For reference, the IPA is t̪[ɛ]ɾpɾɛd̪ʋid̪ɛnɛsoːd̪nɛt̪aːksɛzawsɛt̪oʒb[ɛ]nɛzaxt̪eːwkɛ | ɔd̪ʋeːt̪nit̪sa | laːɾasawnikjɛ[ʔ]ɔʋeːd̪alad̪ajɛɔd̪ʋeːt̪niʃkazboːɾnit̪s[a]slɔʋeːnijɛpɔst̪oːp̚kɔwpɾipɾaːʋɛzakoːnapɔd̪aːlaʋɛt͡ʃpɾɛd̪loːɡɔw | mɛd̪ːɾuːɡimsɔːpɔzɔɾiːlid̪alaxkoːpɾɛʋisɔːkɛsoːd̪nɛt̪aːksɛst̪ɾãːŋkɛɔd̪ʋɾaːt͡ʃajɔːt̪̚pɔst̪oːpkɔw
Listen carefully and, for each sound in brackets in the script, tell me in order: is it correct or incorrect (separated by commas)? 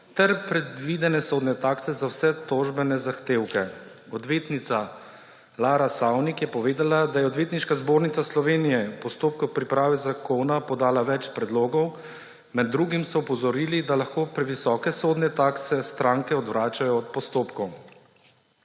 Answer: correct, correct, incorrect, correct